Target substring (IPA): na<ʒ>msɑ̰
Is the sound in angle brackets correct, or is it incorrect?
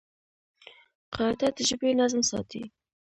incorrect: z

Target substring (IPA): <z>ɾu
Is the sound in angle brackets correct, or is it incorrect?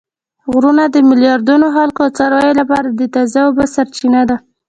incorrect: ɣ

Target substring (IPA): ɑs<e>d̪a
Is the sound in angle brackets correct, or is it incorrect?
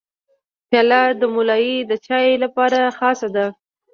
incorrect: a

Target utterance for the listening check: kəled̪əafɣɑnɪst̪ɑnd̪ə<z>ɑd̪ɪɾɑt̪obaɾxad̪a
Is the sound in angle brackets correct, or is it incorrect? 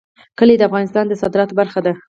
incorrect: s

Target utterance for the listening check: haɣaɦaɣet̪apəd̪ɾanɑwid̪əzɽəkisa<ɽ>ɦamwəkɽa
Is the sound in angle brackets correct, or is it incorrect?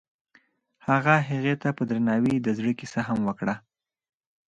incorrect: none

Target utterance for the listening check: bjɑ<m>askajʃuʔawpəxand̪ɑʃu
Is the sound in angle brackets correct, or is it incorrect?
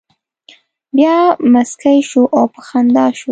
correct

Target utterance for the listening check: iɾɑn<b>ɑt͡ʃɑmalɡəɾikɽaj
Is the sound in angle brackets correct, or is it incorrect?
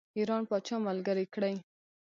incorrect: p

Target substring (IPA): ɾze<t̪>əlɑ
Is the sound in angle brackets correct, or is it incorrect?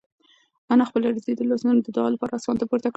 incorrect: d̪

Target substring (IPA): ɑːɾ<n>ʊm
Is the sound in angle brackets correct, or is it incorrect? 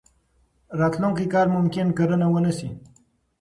incorrect: m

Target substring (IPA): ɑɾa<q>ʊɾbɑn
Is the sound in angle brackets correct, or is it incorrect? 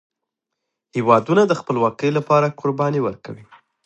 incorrect: k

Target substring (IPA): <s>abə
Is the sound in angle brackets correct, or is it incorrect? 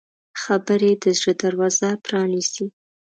incorrect: x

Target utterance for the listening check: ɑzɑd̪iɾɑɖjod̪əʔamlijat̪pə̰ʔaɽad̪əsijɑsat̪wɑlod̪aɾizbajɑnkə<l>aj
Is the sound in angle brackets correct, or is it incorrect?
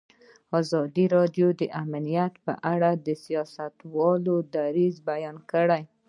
incorrect: ɽ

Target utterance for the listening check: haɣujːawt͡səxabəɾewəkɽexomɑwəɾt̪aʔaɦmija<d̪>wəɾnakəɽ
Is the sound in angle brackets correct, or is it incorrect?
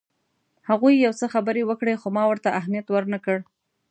incorrect: t̪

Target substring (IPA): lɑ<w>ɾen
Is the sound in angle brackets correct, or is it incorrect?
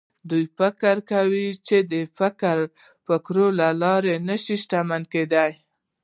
incorrect: none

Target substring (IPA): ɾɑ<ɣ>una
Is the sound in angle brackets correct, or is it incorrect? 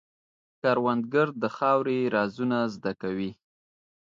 incorrect: z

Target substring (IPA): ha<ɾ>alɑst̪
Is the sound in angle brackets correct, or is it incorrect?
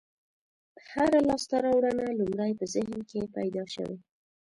correct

